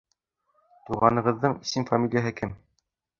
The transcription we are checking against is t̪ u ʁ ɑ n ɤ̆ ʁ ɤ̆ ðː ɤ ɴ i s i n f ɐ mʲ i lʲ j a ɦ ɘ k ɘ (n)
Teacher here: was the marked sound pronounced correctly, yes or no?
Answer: no